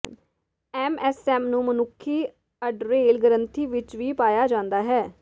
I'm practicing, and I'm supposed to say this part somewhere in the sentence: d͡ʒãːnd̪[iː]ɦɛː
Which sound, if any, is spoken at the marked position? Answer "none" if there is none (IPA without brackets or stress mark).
aː